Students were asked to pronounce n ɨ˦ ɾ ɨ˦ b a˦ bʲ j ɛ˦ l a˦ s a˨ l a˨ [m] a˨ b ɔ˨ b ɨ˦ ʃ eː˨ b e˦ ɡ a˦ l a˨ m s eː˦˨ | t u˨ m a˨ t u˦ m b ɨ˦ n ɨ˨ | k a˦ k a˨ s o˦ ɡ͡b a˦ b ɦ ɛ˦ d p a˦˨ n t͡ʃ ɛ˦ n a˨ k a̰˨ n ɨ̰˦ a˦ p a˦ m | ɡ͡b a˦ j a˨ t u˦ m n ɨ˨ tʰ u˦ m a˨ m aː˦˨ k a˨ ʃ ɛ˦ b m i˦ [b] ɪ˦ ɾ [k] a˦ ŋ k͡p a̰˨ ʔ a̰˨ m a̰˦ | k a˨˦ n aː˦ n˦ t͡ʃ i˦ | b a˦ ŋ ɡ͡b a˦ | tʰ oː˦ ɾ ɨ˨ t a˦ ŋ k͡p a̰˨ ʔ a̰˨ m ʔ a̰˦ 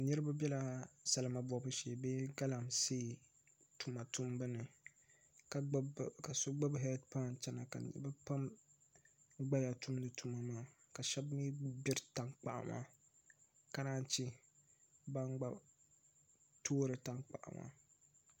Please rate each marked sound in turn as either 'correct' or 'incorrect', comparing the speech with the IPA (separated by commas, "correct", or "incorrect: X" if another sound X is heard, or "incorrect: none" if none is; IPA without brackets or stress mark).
correct, correct, incorrect: t